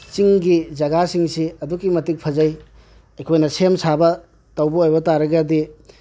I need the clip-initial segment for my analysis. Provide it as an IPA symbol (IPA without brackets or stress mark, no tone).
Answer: t͡ʃ